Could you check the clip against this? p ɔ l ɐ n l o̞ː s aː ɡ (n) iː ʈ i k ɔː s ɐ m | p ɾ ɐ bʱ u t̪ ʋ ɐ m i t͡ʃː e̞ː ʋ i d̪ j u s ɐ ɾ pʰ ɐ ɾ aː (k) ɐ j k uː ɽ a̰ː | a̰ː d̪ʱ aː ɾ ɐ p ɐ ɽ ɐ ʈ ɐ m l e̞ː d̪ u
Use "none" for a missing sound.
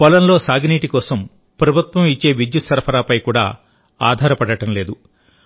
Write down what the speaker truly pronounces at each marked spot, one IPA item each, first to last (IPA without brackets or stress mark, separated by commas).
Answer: n, p